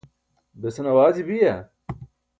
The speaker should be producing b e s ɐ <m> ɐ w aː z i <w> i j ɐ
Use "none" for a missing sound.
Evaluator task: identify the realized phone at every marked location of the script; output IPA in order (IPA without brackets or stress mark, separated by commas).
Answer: n, b